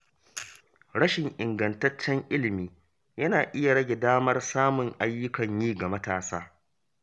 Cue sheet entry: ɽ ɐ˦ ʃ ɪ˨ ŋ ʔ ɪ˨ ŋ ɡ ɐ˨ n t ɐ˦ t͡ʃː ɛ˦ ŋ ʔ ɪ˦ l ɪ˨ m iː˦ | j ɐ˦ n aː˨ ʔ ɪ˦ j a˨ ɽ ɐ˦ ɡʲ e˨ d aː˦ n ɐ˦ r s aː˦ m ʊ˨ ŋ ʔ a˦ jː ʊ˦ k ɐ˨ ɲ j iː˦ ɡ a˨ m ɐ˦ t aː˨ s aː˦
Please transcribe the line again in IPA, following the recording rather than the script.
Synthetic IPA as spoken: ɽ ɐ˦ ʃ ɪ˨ ŋ ʔ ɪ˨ ŋ ɡ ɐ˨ n t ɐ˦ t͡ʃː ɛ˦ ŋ ʔ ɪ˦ l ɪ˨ m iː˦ | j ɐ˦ n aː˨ ʔ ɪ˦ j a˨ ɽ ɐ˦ ɡʲ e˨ d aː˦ m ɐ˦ r s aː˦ m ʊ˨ ŋ ʔ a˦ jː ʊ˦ k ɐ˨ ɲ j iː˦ ɡ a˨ m ɐ˦ t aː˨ s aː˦